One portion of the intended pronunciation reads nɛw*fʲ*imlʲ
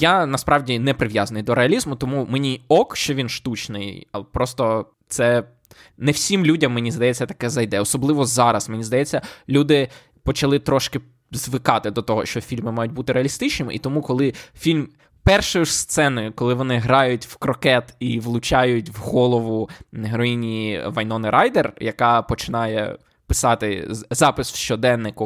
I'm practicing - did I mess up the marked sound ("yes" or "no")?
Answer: yes